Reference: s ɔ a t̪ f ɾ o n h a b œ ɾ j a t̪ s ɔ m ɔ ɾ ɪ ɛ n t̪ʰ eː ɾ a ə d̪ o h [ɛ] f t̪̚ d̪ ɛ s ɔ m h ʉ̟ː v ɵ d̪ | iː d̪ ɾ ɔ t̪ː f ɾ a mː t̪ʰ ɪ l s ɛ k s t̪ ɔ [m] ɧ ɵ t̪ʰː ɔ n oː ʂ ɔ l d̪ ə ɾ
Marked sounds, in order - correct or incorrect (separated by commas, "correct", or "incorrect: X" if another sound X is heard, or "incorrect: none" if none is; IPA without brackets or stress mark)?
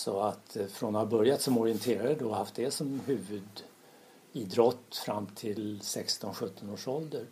incorrect: a, incorrect: n